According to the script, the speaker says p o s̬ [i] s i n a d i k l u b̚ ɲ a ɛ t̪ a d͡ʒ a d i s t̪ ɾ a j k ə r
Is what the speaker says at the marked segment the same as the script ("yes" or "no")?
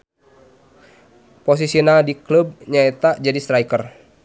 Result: yes